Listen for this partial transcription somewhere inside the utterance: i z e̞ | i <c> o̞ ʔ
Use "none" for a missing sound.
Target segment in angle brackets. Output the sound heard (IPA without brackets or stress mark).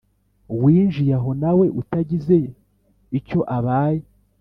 c